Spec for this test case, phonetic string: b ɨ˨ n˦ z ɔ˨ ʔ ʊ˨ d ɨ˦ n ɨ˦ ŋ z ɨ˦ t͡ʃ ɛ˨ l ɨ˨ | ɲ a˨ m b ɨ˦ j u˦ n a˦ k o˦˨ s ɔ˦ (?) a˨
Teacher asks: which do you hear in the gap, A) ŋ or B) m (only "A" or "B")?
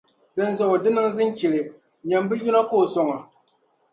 A